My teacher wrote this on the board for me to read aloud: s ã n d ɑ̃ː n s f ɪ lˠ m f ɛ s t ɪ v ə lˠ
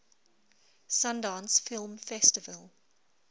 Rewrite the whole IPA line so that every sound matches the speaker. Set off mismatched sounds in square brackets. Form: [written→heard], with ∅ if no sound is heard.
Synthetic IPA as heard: s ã n d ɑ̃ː n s f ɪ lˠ m f ɛ s t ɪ v ə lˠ